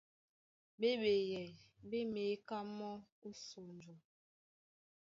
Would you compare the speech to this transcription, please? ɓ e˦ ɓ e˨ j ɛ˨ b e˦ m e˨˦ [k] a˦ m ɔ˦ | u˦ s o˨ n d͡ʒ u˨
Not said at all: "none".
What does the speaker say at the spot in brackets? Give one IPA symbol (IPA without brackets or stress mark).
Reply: k